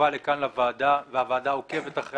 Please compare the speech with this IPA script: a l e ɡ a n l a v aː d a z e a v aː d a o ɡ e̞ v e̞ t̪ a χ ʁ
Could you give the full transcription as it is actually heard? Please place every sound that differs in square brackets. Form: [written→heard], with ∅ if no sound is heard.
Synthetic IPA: a l e [ɡ→k] a n l a v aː d a [z→v] e a v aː d a o [ɡ→k] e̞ v e̞ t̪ a χ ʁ